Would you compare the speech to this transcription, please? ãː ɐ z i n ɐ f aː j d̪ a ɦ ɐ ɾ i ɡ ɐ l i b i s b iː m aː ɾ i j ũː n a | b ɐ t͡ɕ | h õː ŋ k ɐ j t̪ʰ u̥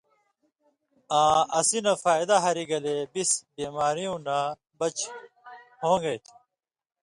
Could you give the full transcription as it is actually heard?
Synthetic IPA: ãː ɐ s i n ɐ f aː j d̪ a ɦ ɐ ɾ i ɡ ɐ l e b i s b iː m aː ɾ i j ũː n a | b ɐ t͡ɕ | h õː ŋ ɡ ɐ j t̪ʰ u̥